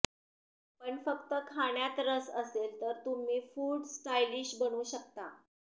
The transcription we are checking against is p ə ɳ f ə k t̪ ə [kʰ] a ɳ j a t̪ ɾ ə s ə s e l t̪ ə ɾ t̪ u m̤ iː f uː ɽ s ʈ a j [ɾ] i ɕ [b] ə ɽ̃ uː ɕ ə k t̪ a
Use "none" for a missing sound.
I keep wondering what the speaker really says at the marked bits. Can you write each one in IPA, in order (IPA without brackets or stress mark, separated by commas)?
kʰ, l, b